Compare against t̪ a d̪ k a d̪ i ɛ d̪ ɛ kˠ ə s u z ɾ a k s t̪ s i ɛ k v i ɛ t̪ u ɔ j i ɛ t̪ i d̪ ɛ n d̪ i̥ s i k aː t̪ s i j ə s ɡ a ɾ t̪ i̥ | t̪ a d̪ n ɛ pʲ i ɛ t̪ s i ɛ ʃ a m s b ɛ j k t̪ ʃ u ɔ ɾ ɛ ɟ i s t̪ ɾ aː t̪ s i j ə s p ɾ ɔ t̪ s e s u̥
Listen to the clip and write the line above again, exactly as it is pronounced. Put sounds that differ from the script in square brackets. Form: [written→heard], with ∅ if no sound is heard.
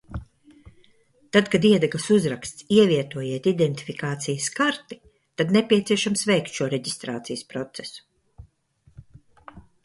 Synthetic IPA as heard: t̪ a d̪ k a d̪ i ɛ d̪ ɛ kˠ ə s u z ɾ a k s t̪ s i ɛ [k→∅] v i ɛ t̪ u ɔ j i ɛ t̪ i d̪ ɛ n [d̪→t̪] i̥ [s→f] i k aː t̪ s i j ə s [ɡ→k] a ɾ t̪ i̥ | t̪ a d̪ n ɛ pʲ i ɛ t̪ s i ɛ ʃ a m s [b→v] ɛ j k t̪ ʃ u ɔ ɾ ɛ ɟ i s t̪ ɾ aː t̪ s i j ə s p ɾ ɔ t̪ s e s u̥